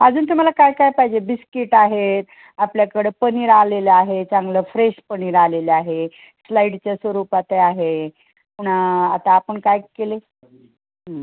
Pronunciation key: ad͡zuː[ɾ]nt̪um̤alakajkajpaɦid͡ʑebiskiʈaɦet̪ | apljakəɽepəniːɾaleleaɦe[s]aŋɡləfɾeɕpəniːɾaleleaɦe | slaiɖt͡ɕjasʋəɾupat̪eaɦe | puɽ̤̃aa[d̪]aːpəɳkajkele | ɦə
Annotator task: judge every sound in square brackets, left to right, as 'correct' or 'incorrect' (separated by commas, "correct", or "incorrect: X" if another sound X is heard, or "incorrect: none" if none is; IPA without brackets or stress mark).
incorrect: none, incorrect: t͡s, incorrect: t̪